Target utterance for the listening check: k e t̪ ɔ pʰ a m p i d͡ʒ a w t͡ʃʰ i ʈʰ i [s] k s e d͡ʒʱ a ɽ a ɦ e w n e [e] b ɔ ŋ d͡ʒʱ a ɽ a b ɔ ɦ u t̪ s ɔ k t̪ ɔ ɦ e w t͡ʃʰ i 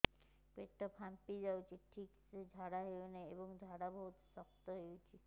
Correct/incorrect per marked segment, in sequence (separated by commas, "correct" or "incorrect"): incorrect, correct